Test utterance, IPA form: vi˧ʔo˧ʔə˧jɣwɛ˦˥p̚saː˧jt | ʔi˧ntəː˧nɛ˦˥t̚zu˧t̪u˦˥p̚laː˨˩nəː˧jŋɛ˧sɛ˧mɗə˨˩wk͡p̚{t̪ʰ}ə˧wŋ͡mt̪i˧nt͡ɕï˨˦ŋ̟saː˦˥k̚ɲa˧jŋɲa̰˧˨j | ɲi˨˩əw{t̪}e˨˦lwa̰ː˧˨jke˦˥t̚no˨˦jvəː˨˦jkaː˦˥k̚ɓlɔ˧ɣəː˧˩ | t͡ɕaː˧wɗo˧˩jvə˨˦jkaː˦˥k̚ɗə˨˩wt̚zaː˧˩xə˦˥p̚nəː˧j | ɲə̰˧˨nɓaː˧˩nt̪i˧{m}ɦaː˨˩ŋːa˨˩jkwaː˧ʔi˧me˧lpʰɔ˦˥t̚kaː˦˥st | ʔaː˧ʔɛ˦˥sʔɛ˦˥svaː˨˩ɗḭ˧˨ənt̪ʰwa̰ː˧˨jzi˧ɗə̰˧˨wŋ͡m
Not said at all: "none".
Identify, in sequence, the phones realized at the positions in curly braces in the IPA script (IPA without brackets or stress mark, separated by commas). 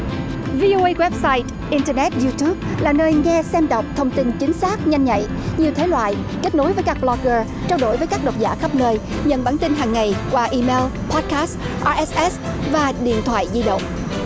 t̪ʰ, t̪ʰ, n